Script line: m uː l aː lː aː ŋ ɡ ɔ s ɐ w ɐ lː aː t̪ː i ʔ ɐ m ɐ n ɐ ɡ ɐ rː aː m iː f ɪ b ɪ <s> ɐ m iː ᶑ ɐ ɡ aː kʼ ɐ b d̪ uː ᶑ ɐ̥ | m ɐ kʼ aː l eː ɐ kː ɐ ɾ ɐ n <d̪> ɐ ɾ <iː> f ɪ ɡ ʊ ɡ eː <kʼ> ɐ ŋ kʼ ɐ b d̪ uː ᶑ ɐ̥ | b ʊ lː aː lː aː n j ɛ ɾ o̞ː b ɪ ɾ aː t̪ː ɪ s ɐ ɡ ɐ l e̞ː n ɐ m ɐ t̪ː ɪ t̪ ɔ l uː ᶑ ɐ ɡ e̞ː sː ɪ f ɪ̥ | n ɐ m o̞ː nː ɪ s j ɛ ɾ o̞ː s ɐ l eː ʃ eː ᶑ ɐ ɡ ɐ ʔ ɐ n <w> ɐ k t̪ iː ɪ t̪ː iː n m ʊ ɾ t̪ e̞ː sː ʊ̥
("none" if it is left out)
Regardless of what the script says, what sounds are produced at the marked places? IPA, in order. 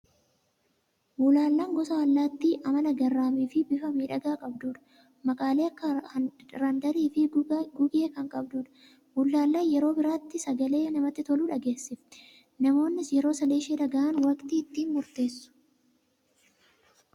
f, d̪, iː, k, w

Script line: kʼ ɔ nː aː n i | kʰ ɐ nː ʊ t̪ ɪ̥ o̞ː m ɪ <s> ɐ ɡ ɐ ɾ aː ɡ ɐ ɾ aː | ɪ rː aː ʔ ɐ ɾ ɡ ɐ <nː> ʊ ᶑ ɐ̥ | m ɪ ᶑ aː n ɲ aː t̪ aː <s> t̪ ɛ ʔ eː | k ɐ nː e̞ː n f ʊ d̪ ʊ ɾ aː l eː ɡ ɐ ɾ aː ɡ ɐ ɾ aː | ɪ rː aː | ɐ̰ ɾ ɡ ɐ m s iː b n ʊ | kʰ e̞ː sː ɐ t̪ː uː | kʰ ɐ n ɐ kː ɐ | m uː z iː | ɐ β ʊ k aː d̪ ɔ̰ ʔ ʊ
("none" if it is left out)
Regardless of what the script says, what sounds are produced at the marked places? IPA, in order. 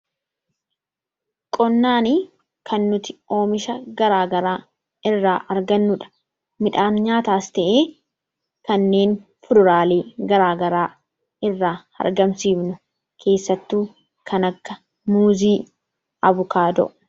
ʃ, nː, s

